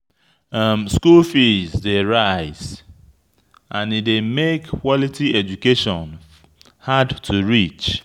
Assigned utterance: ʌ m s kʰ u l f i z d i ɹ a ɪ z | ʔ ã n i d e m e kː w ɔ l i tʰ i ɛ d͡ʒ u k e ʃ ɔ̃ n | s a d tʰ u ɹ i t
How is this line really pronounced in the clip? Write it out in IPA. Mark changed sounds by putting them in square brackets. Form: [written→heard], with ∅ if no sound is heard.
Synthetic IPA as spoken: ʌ m s [kʰ→k] u l f i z d [i→e] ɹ a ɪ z | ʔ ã n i d e m e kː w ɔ l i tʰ i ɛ d͡ʒ u k e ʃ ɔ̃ n | [s→h] a d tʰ u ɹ i [t→t͡ʃ]